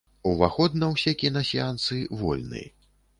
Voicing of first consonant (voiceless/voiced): voiced